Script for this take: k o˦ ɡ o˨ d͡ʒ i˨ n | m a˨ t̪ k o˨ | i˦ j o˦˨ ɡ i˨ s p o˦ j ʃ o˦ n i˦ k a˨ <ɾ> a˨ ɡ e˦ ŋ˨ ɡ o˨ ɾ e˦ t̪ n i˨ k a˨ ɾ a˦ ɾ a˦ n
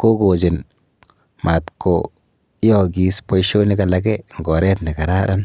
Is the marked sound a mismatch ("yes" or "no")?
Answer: yes